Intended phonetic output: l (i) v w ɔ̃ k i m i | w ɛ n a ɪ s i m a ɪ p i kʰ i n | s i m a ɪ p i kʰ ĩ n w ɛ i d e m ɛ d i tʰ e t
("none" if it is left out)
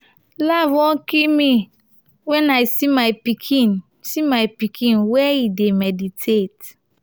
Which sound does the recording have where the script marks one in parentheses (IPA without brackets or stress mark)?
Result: a